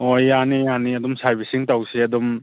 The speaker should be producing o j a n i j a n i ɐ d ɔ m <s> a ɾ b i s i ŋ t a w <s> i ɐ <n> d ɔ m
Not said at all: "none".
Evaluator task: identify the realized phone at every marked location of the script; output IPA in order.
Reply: s, s, none

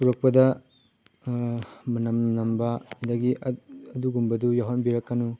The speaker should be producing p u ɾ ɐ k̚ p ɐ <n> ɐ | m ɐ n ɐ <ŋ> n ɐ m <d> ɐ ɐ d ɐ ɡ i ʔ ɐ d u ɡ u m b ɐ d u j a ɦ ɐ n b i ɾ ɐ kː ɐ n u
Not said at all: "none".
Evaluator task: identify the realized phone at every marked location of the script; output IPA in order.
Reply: d, m, b

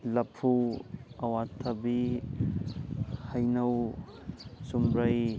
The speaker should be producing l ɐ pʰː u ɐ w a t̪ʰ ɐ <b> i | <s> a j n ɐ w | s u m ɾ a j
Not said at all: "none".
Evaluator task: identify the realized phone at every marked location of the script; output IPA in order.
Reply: b, h

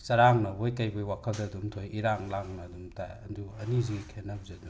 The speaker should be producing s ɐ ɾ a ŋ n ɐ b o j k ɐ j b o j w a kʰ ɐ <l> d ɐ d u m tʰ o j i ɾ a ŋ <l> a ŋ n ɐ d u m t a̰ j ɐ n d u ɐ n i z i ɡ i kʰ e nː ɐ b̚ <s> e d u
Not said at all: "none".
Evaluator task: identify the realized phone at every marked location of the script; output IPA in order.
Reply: l, l, z

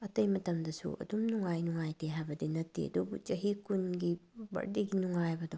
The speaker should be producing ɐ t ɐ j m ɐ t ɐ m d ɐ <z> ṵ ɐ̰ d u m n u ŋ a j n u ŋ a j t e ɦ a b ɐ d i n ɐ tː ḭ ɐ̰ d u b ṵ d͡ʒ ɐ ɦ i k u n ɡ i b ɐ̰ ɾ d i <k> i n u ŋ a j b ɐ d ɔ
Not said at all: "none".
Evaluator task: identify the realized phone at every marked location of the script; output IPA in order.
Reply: s, ɡ

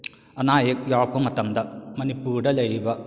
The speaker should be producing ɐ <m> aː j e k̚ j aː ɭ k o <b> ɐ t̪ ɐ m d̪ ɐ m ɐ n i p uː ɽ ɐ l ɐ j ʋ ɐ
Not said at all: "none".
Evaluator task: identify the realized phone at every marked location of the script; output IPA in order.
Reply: n, m

